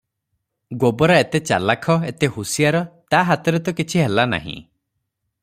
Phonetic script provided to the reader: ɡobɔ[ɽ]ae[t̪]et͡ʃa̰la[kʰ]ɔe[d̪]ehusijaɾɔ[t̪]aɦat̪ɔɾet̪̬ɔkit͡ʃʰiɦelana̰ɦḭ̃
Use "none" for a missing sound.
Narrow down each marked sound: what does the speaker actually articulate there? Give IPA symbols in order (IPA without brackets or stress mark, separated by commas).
ɾ, t̪, kʰ, t̪, t̪